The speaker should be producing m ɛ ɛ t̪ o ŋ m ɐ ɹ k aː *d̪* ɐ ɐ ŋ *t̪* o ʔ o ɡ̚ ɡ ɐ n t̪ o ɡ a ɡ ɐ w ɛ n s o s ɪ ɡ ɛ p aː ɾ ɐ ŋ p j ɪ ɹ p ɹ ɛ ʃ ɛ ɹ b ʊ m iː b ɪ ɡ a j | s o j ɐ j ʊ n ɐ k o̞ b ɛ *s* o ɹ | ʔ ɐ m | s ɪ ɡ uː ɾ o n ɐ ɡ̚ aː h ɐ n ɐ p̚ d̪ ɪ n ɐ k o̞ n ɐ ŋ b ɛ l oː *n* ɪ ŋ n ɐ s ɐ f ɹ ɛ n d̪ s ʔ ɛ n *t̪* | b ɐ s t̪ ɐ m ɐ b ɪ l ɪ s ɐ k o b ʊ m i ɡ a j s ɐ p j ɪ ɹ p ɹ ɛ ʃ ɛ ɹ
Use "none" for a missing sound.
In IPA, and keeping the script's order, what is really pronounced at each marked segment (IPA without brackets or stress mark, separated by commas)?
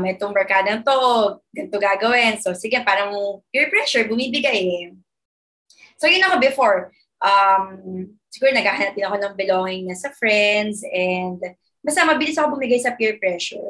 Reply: d̪, t̪, f, ŋ, d̪